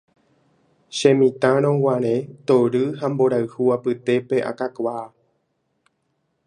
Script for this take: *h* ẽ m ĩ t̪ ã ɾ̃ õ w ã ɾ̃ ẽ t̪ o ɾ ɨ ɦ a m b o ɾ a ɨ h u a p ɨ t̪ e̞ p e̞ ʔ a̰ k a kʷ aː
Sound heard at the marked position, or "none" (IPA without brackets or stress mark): ʃ